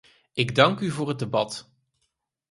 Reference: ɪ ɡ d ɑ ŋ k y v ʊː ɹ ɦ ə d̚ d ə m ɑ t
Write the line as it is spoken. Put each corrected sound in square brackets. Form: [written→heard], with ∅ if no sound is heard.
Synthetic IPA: ɪ ɡ d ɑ ŋ k y v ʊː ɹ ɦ ə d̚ d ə [m→b] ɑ t